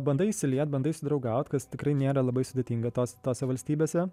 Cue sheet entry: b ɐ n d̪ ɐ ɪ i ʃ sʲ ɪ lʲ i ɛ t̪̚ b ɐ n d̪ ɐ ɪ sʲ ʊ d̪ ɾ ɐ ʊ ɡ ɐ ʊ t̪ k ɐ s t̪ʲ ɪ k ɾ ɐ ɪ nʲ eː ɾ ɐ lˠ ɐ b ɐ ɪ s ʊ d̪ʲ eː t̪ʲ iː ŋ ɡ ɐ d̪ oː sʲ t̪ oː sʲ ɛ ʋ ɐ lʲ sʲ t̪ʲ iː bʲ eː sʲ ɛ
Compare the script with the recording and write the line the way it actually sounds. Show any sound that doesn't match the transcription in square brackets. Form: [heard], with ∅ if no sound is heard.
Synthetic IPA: b ɐ n d̪ ɐ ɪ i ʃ sʲ ɪ lʲ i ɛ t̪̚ b ɐ n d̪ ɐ ɪ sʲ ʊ d̪ ɾ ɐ ʊ ɡ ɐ ʊ t̪ k ɐ s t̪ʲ ɪ k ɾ ɐ ɪ nʲ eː ɾ ɐ lˠ ɐ b ɐ ɪ s ʊ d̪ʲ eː t̪ʲ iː ŋ ɡ ɐ [t̪] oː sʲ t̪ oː sʲ ɛ ʋ ɐ lʲ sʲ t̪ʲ iː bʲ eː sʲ ɛ